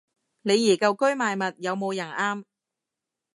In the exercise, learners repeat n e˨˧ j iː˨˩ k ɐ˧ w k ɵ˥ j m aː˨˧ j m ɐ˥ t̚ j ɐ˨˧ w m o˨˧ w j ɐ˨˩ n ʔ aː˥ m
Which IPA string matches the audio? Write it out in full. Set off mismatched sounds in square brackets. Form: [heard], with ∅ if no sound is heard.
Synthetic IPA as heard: n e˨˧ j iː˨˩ k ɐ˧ w k ɵ˥ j m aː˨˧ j m [ɐ˨] t̚ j ɐ˨˧ w m o˨˧ w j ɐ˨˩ n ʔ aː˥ m